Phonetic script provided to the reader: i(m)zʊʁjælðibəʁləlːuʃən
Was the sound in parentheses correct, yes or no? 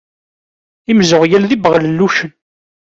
yes